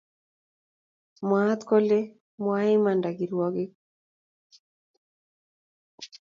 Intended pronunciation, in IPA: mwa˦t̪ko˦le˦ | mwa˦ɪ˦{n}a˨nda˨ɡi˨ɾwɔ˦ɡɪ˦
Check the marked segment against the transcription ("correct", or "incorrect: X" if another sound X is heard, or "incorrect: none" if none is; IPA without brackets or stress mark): incorrect: m